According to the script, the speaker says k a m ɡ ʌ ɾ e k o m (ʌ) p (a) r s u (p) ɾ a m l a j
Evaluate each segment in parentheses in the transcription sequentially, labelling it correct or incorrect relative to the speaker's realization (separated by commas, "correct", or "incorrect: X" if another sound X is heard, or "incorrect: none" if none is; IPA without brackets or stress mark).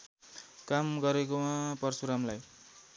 incorrect: a, incorrect: ʌ, incorrect: none